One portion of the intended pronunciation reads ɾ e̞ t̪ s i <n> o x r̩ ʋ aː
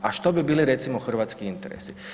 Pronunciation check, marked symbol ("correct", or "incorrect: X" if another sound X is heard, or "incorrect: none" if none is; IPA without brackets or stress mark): incorrect: m